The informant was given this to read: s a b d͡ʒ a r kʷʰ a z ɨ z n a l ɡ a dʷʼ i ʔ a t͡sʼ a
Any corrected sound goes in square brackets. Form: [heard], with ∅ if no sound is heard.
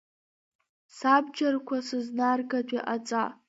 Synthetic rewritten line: s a b d͡ʒ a r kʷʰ a [s] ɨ z n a [r] ɡ a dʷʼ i ʔ a t͡sʼ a